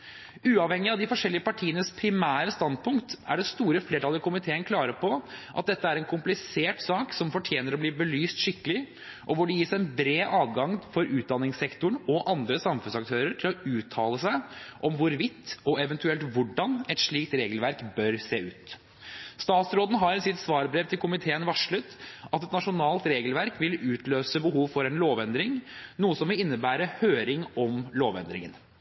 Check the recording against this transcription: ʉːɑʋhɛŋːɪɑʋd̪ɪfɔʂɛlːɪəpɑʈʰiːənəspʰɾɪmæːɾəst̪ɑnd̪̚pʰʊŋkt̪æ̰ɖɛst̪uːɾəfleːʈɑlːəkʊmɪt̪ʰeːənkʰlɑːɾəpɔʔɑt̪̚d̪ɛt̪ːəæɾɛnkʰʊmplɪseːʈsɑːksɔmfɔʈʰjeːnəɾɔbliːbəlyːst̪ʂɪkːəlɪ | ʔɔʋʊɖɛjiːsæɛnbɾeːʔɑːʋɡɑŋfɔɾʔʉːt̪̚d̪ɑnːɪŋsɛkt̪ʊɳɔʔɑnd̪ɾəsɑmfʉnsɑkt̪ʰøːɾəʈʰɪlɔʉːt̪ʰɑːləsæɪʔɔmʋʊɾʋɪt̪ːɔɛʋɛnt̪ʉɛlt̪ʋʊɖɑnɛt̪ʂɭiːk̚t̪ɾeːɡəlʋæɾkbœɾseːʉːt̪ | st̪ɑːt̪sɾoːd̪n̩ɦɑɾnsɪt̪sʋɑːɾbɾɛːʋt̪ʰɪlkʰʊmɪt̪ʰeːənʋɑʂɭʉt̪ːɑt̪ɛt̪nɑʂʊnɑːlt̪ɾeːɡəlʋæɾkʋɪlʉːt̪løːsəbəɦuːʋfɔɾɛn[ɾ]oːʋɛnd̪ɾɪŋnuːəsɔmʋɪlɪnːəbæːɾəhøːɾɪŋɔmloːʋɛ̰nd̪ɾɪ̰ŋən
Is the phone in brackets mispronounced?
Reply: yes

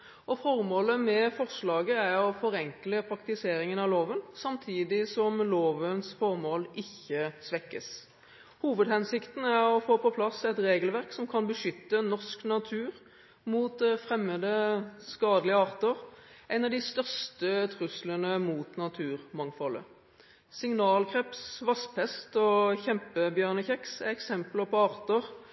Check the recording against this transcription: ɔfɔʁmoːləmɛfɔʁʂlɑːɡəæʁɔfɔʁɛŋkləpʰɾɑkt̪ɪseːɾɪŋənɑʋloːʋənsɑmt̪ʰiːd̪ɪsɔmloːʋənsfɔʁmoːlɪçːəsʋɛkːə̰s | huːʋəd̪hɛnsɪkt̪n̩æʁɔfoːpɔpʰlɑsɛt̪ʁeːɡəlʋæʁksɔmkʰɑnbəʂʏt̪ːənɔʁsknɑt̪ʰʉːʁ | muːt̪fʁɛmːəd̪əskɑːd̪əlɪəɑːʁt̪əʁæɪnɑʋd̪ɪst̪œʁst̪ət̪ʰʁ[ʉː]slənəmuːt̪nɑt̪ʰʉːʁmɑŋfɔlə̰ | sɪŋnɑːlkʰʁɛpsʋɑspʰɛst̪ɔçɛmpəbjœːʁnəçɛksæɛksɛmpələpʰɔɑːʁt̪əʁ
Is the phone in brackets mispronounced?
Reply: yes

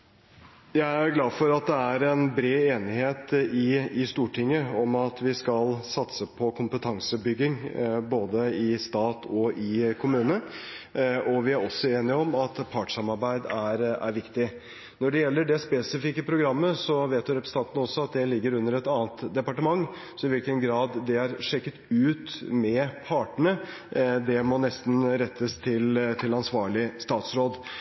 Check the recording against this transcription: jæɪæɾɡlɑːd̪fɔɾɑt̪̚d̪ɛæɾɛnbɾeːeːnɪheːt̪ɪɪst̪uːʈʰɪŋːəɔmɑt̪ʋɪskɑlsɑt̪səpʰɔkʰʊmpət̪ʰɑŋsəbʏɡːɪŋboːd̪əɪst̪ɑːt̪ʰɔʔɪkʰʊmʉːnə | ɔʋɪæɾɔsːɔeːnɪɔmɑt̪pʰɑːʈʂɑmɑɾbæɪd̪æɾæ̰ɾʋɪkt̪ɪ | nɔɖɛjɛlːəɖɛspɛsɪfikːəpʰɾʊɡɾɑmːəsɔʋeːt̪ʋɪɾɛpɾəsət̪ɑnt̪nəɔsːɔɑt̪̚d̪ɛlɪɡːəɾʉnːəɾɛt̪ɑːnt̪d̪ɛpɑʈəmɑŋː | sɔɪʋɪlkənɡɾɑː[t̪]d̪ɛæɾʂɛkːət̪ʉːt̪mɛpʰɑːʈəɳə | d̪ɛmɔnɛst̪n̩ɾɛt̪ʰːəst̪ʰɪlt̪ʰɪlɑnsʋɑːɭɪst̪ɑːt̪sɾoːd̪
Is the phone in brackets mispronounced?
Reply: yes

